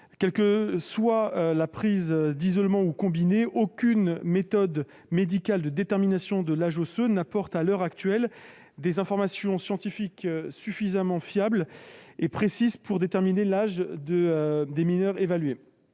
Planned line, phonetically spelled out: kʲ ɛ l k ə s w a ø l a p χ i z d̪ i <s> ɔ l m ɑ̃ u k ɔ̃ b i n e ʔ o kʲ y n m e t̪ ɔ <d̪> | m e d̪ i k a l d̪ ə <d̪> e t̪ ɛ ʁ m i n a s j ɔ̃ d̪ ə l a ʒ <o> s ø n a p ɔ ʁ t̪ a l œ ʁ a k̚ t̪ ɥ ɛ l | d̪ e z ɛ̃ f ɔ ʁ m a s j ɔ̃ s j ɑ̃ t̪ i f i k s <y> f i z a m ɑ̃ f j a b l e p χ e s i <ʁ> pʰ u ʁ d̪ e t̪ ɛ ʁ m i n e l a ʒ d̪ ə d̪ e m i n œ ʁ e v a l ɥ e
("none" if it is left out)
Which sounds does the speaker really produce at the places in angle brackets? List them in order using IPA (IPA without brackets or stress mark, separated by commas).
z, d̪, d̪, o, y, z